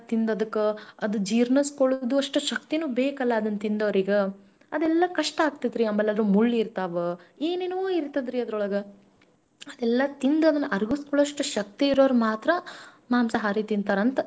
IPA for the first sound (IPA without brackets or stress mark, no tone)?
t̪